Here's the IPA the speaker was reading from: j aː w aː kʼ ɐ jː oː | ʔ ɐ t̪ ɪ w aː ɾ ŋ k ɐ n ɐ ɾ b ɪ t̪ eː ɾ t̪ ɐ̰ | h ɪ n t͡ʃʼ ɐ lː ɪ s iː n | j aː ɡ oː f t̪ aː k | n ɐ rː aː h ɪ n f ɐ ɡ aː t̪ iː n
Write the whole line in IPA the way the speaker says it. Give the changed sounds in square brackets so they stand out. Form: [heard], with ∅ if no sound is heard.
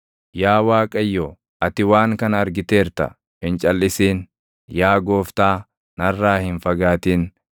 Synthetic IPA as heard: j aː w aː kʼ ɐ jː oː | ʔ ɐ t̪ ɪ w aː [∅] ŋ k ɐ n ɐ ɾ [ɡ] ɪ t̪ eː ɾ t̪ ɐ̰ | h ɪ n t͡ʃʼ ɐ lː ɪ s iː n | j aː ɡ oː f t̪ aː [∅] | n ɐ rː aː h ɪ n f ɐ ɡ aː t̪ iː n